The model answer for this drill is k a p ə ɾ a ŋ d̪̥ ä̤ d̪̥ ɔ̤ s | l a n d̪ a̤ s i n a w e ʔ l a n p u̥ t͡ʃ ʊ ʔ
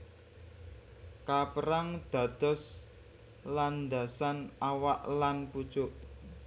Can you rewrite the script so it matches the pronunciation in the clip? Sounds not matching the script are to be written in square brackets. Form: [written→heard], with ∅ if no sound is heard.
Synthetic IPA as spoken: k a p ə ɾ a ŋ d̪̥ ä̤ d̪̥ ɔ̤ s | l a n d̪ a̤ s [i→a] n a w [e→a] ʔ l a n p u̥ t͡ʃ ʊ ʔ